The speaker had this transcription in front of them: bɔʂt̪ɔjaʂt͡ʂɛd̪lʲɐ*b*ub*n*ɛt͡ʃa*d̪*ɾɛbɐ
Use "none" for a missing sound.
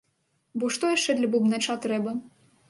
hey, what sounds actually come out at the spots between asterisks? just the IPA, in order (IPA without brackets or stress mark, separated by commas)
b, n, t̪